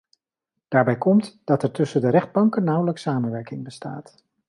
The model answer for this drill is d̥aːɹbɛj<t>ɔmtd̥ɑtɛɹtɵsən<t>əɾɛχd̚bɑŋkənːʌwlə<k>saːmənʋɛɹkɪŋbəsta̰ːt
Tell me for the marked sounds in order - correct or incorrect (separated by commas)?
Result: incorrect, incorrect, correct